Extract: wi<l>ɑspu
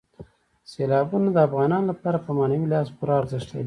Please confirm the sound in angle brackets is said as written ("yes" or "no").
yes